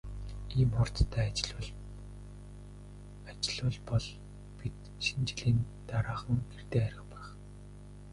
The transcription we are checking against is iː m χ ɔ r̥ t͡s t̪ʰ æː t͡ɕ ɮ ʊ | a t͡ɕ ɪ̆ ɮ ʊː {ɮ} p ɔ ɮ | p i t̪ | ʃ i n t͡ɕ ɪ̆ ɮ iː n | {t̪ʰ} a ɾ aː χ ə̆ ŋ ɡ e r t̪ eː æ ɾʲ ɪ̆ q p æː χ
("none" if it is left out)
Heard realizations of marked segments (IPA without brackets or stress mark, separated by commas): ɮ, t̪